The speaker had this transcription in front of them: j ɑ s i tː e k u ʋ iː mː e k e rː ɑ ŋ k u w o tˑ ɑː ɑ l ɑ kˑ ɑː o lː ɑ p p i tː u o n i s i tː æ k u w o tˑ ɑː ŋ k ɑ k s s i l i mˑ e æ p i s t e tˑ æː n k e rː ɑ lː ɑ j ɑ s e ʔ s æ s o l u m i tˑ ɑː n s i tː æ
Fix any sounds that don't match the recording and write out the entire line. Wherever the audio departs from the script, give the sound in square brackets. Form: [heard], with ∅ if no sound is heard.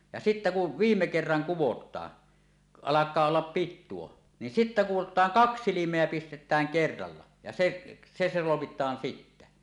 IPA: j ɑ s i tː [æ] k u ʋ iː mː e k e rː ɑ ŋ k u w o tˑ ɑː ɑ l ɑ kˑ ɑː o lː ɑ p p i tː u o n i s i tː æ k u w o tˑ ɑː ŋ k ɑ k s s i l i mˑ e æ p i s t e tˑ æː [ŋ] k e rː ɑ lː ɑ j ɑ s e ʔ s [e] s o l [o] m i tˑ ɑː n s i tː æ